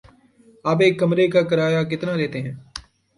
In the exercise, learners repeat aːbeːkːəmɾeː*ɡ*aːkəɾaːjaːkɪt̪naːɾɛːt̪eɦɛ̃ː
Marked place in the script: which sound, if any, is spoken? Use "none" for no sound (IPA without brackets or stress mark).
k